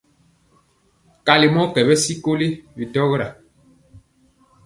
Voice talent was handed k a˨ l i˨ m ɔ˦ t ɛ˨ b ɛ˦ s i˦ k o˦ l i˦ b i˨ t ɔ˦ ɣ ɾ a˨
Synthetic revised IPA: k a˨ l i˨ m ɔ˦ k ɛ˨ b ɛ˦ s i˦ k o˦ l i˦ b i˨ t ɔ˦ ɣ ɾ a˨